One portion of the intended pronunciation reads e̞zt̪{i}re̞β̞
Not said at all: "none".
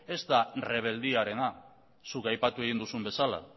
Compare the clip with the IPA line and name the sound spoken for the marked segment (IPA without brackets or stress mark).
a